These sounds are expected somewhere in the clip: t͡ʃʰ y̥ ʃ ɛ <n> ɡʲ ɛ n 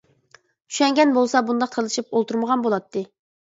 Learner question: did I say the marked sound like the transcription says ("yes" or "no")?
no